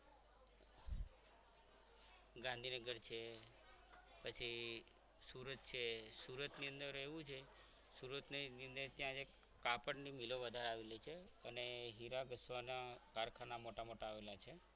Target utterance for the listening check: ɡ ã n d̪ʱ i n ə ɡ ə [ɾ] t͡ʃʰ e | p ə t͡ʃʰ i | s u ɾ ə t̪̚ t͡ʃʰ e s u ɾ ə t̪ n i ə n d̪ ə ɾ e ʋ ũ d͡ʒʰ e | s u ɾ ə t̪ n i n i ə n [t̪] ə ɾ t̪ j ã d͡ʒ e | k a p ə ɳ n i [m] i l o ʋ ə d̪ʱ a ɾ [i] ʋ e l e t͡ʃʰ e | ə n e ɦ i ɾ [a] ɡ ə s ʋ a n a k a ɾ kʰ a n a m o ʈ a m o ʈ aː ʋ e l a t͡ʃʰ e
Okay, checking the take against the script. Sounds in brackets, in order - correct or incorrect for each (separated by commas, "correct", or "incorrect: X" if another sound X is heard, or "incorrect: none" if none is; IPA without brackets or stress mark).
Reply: correct, incorrect: d̪, correct, incorrect: a, correct